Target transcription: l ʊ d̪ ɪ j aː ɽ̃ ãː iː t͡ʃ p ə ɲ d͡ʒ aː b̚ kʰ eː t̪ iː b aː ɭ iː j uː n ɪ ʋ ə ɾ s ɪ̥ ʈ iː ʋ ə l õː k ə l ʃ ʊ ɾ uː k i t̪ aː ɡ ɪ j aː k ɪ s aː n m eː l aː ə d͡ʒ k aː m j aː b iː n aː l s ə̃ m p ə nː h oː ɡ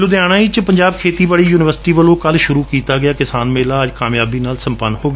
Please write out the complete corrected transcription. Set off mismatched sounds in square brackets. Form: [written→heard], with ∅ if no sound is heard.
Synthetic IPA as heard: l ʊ d̪ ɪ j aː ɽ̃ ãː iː t͡ʃ p ə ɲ d͡ʒ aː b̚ kʰ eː t̪ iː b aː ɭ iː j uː n ɪ ʋ ə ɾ s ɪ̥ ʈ iː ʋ ə l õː k ə l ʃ ʊ ɾ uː k [i→iː] t̪ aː ɡ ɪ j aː k ɪ s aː n m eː l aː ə d͡ʒ k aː m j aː b iː n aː l s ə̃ m p ə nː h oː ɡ